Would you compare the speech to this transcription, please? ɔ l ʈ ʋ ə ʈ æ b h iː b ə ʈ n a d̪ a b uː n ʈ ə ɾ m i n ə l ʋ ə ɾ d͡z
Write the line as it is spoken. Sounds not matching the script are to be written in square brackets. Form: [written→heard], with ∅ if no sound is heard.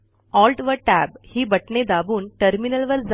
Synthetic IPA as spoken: ɔ l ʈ ʋ ə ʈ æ b h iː b ə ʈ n [a→e] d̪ a b uː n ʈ ə ɾ m i n ə l ʋ ə ɾ d͡z